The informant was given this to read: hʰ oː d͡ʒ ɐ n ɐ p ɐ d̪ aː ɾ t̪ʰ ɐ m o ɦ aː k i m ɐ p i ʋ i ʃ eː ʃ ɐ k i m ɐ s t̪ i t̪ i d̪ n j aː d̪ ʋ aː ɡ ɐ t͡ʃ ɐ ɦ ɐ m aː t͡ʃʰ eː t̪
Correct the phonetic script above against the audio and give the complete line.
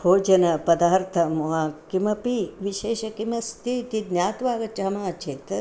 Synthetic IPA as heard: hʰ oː d͡ʒ ɐ n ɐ p ɐ d̪ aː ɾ t̪ʰ ɐ m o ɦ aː k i m ɐ p i ʋ i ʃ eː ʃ ɐ k i m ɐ s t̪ i t̪ i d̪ n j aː t̪ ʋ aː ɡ ɐ t͡ʃ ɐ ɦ ɐ m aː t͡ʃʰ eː t̪